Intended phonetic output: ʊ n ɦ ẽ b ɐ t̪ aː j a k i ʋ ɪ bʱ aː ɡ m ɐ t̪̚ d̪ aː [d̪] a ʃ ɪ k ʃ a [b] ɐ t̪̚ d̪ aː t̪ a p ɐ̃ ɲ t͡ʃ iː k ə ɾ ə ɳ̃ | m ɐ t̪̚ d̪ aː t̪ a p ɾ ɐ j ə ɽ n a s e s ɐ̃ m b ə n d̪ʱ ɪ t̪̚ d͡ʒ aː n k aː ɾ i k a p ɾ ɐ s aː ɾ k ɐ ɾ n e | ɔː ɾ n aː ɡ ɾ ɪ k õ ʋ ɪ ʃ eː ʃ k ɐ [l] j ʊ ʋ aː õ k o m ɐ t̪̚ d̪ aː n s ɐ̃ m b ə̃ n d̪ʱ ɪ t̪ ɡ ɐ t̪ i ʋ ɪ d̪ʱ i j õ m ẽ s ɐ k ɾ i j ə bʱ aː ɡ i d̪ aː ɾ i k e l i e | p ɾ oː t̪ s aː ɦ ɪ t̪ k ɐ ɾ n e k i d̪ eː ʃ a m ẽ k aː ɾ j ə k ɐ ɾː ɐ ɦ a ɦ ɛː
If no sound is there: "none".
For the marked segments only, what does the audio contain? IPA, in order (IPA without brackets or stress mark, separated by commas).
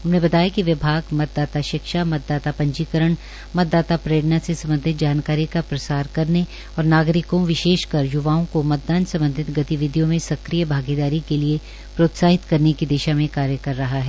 t̪, m, ɾ